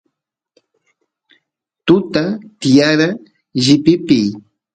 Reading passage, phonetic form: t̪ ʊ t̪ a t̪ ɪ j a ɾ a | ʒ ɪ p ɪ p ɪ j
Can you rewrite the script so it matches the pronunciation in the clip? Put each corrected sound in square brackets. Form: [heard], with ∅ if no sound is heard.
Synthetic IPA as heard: t̪ ʊ t̪ a t̪ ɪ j a ɾ a | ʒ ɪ p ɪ p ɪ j